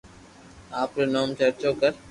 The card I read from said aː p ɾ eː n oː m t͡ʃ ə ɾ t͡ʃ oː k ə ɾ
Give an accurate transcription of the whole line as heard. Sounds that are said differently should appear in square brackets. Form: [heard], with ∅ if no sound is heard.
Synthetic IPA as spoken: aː p ɾ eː n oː m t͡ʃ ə ɾ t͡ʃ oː k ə ɾ